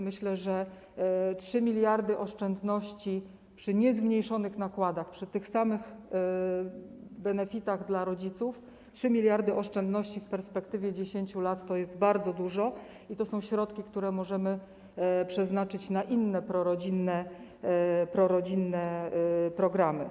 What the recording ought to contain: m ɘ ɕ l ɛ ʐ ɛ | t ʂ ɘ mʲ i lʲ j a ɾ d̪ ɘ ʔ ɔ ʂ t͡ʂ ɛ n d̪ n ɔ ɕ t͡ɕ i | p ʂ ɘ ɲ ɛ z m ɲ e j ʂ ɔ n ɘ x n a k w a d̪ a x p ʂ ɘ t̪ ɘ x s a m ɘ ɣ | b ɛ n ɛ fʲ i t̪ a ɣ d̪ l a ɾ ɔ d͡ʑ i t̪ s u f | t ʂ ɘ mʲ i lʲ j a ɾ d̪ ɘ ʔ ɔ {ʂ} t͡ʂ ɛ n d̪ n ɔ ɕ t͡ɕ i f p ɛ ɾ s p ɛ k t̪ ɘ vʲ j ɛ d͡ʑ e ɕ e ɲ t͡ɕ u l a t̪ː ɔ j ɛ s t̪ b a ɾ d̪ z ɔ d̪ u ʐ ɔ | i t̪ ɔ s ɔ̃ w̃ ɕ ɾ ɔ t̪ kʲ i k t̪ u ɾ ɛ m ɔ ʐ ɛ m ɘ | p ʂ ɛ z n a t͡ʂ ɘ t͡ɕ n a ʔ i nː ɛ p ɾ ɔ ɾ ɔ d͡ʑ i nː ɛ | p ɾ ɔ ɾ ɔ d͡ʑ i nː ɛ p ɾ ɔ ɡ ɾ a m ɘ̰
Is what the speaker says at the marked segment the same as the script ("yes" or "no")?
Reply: yes